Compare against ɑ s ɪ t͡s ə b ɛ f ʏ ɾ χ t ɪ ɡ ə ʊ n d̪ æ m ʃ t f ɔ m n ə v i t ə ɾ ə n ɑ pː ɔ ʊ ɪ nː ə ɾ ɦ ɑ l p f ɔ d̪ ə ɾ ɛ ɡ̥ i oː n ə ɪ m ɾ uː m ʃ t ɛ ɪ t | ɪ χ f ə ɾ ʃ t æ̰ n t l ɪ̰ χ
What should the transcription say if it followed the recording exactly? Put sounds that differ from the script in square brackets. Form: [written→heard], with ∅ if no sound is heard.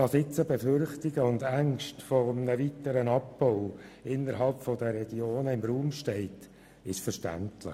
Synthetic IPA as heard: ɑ s ɪ t͡s ə b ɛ f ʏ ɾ χ t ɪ ɡ ə ʊ n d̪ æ [m→ŋ] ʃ t f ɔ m n ə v i t ə ɾ ə n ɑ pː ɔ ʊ ɪ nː ə ɾ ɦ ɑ l p f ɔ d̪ ə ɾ ɛ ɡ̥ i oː n ə ɪ m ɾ uː m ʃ t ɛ ɪ t | ɪ [χ→ʃ] f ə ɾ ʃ t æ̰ n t l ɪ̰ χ